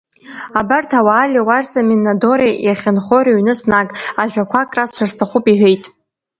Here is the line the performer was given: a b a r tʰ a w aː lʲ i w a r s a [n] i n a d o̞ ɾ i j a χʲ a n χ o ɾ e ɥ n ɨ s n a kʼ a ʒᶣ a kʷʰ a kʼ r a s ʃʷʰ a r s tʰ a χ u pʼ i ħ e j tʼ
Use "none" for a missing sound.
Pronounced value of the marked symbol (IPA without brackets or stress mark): m